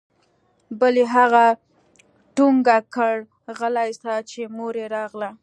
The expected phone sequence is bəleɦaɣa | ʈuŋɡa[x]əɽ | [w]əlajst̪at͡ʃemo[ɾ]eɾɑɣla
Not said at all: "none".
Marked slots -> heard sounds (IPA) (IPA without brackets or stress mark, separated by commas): k, ɣ, ɾ